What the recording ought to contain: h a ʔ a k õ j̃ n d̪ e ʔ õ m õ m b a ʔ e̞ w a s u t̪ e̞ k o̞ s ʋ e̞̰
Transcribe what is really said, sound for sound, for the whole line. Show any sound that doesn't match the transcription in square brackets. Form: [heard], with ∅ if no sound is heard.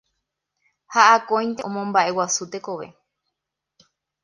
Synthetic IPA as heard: h a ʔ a k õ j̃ n [t̪] e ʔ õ m õ m b a ʔ e̞ w a s u t̪ e̞ k o̞ [∅] ʋ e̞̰